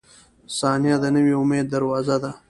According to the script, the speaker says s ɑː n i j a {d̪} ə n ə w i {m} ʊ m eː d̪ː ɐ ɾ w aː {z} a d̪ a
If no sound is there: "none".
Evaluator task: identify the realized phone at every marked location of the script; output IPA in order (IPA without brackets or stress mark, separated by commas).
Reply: d̪, none, z